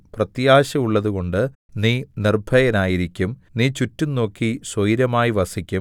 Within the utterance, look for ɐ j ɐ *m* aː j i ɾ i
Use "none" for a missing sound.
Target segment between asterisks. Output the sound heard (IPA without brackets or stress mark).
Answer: n